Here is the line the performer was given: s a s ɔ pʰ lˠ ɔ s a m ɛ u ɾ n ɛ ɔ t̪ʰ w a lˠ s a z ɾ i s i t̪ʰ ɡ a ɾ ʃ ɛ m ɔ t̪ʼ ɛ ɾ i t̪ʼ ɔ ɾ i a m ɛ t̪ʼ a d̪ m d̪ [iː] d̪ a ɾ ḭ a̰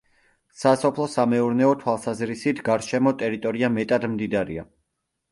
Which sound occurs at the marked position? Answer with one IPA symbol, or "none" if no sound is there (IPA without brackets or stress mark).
i